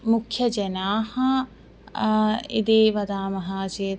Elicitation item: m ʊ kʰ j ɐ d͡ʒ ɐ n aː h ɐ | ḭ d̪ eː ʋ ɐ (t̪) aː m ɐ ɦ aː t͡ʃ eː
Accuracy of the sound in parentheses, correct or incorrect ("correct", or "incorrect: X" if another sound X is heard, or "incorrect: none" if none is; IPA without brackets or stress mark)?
incorrect: d̪